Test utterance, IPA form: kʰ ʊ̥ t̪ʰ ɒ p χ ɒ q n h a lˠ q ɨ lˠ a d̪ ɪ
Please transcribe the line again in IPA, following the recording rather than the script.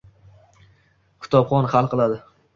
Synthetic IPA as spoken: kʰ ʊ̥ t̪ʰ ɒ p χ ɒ n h a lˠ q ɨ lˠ a d̪ ɪ